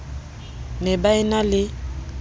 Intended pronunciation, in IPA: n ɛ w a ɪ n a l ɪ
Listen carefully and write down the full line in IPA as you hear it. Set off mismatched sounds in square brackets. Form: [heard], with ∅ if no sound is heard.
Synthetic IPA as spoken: n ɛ [b] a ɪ n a l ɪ